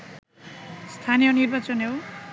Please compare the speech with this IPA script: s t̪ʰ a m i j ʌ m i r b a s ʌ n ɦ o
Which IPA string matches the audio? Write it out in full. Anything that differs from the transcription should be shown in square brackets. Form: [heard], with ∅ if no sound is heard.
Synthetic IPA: s t̪ʰ a [n] i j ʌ [n] i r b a [t͡s] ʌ n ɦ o